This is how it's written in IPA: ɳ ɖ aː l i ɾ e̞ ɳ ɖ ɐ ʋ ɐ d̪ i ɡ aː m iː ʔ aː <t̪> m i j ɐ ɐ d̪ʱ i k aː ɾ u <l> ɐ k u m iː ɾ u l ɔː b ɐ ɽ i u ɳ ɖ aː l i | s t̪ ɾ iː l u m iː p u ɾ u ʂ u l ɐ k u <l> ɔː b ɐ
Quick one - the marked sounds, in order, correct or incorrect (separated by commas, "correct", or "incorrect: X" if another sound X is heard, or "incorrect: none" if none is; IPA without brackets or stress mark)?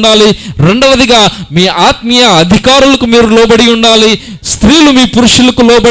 correct, correct, correct